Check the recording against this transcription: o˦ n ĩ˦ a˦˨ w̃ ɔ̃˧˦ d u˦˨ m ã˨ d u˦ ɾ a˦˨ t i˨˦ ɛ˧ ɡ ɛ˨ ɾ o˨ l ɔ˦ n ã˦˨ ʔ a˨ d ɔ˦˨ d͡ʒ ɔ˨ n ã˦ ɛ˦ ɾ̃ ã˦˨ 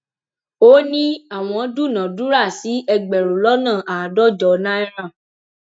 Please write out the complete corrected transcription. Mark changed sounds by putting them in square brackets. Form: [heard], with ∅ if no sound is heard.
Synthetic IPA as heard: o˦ n ĩ˦ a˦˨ w̃ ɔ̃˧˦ d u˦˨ [n] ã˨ d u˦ ɾ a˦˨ [s] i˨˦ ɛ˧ [ɡ͡b] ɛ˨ ɾ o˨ l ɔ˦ n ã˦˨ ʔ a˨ d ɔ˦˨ d͡ʒ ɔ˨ n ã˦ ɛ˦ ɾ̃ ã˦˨